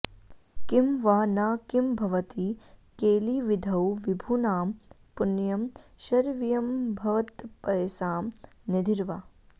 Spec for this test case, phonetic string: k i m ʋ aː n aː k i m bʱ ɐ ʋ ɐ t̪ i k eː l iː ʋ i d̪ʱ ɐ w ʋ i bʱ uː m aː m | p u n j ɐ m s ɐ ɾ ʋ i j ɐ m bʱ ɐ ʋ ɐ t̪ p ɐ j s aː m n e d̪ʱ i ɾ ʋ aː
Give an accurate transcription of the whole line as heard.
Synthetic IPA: k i m ʋ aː n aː k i m bʱ ɐ ʋ ɐ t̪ i k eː l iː ʋ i d̪ʱ ɐ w ʋ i bʱ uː n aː m | p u n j ɐ m ʃ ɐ ɾ ʋ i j ɐ m bʱ ɐ ʋ ɐ t̪ p ɐ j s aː m n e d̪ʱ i ɾ ʋ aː